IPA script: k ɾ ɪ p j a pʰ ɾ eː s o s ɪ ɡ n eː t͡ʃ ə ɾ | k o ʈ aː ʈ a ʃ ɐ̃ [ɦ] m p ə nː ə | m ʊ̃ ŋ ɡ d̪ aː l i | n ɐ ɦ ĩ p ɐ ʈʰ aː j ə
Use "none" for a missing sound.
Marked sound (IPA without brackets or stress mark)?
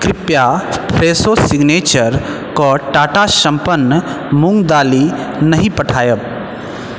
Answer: none